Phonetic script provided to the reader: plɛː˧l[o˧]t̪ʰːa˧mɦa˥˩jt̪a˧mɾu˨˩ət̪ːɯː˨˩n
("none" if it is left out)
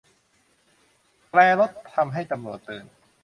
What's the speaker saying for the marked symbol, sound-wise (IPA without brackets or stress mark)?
o˦˥